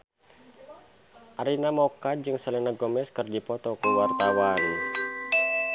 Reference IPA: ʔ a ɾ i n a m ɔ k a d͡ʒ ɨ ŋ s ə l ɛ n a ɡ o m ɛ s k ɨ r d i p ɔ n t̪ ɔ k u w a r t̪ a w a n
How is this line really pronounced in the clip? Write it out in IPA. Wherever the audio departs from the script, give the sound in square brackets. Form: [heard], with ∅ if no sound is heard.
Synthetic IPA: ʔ a ɾ i n a m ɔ k a d͡ʒ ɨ ŋ s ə l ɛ n a ɡ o m ɛ s k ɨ r d i p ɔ [∅] t̪ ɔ k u w a r t̪ a w a n